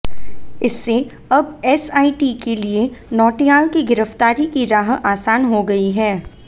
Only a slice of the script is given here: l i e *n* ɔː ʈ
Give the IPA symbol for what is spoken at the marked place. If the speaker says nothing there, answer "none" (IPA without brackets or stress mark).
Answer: n